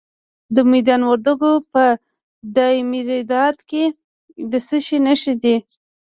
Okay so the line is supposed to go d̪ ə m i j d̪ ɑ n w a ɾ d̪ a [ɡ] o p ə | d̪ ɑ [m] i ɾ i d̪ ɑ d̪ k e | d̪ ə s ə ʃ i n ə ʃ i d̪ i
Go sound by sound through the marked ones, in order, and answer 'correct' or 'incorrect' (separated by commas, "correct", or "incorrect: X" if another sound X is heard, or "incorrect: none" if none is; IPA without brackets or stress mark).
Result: correct, correct